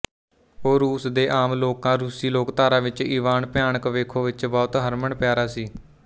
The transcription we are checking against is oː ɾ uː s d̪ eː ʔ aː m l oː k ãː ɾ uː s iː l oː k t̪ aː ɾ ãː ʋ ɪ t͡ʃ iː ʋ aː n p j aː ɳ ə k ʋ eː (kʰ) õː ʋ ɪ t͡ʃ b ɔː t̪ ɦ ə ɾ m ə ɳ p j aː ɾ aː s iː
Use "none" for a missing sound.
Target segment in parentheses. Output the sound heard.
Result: kʰ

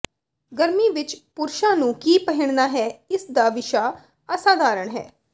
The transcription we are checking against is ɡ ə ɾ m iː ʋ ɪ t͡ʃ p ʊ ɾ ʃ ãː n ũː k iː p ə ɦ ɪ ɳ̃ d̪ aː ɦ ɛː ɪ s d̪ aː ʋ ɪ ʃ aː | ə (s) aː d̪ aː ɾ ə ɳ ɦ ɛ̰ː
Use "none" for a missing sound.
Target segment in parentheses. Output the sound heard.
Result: s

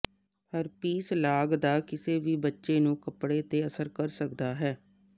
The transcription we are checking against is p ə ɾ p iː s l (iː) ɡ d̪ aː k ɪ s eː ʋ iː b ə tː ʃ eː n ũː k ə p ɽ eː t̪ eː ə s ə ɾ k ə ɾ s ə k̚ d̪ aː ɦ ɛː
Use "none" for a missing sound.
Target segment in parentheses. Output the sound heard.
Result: aː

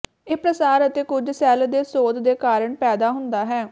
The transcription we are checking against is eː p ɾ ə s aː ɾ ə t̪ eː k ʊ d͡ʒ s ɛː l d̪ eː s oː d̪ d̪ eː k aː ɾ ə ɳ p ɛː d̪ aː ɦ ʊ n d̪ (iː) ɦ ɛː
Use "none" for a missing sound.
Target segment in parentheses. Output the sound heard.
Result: aː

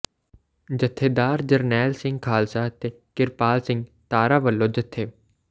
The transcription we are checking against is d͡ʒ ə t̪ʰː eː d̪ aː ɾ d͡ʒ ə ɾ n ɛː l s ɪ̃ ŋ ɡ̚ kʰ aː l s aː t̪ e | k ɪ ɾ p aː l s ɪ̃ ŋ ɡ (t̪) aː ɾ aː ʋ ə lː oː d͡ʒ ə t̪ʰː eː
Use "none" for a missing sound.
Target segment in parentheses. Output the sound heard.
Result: t̪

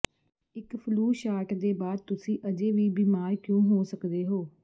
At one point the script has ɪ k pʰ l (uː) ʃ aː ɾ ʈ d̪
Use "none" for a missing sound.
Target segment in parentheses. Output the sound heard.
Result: uː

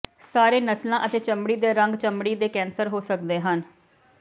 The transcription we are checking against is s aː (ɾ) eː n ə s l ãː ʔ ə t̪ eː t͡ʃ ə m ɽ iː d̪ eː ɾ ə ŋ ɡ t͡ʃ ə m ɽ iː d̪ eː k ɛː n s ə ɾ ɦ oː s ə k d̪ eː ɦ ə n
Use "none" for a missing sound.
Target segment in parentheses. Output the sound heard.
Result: ɾ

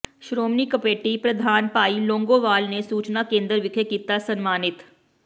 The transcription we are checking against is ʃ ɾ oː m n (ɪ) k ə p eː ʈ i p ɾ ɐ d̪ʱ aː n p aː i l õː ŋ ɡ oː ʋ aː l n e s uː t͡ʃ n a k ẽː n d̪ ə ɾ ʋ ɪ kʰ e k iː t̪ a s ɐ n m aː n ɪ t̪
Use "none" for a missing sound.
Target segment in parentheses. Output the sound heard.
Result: i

